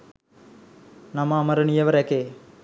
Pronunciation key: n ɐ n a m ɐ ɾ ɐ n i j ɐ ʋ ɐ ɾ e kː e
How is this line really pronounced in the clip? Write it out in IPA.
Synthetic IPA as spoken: n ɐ m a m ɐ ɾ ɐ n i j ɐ ʋ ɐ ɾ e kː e